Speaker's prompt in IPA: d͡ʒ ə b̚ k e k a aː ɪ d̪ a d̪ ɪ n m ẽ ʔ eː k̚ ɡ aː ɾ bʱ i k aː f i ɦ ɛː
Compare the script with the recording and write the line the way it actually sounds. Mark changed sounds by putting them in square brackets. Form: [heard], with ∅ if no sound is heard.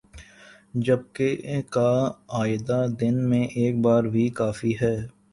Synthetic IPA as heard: d͡ʒ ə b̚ k e k a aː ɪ d̪ a d̪ ɪ n m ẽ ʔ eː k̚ [b] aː ɾ bʱ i k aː f i ɦ ɛː